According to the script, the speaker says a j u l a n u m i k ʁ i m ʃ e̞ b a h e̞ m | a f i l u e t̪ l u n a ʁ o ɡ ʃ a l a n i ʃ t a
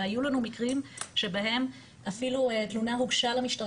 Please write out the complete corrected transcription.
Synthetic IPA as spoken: a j u l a n u m i k ʁ i m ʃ e̞ b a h e̞ m | a f i l u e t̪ l u n a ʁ u ɡ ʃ a l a m i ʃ t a